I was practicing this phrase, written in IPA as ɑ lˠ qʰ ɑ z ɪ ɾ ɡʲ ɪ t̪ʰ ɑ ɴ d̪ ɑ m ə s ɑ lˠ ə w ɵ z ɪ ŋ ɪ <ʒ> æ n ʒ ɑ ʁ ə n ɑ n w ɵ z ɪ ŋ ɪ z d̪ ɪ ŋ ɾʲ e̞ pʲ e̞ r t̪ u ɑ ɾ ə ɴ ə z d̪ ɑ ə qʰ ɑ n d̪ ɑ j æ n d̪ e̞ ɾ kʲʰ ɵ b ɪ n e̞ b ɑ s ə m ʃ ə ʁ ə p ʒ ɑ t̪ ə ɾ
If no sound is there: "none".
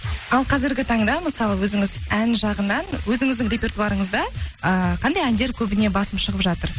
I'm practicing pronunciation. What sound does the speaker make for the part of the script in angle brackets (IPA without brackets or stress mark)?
z